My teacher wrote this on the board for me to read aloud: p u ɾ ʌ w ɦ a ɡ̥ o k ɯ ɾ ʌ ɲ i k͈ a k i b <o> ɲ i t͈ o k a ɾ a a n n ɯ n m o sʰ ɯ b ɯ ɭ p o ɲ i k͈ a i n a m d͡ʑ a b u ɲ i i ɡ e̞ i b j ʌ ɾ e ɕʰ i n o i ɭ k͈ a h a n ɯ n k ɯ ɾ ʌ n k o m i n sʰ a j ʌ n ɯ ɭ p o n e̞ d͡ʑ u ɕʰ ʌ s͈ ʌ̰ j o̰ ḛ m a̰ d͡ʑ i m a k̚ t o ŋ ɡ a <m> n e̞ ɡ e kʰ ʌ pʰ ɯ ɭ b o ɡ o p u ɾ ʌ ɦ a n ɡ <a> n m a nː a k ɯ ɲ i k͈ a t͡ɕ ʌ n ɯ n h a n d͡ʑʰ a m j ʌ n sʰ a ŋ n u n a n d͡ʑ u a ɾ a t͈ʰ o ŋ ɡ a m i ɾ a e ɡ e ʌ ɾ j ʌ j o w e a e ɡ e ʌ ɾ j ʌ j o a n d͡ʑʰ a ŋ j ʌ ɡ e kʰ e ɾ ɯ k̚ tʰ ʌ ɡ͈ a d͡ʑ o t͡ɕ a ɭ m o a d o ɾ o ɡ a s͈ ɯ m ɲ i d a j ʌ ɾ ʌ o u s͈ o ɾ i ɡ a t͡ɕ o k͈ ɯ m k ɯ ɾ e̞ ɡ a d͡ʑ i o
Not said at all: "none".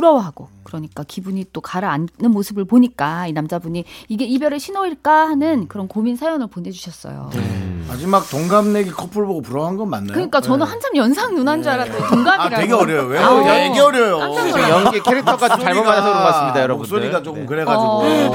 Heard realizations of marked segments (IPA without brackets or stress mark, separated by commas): u, m, ʌ